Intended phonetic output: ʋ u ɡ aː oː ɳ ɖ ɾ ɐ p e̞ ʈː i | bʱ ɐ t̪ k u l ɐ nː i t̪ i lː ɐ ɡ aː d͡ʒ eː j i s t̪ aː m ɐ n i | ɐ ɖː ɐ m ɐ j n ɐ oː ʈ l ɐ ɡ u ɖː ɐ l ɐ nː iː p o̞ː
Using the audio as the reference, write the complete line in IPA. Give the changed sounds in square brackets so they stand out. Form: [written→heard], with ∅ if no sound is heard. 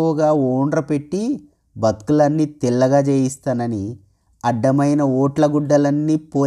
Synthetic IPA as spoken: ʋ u ɡ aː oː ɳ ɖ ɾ ɐ p e̞ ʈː i | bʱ ɐ t̪ k u l ɐ nː i t̪ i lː ɐ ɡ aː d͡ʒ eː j i s t̪ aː [m→n] ɐ n i | ɐ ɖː ɐ m ɐ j n ɐ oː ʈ l ɐ ɡ u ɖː ɐ l ɐ nː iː p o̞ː